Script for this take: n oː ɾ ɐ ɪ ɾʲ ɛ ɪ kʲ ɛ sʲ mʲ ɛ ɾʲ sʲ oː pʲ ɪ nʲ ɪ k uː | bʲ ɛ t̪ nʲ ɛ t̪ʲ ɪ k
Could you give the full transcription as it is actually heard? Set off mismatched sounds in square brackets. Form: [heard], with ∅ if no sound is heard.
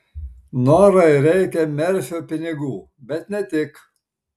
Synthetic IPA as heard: n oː ɾ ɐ ɪ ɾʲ ɛ ɪ kʲ ɛ [∅] mʲ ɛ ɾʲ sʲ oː pʲ ɪ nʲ ɪ [ɡ] uː | bʲ ɛ t̪ nʲ ɛ t̪ʲ ɪ k